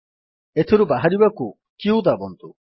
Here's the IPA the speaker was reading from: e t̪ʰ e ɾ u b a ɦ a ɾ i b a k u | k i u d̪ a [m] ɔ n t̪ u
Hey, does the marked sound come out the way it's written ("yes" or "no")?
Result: no